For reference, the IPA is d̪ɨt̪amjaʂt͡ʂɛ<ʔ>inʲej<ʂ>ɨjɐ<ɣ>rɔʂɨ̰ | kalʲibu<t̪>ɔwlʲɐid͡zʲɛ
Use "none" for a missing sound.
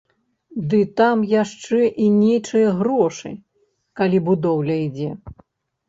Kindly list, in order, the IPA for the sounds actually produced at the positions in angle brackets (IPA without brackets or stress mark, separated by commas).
ʔ, t͡ʂ, ɣ, d̪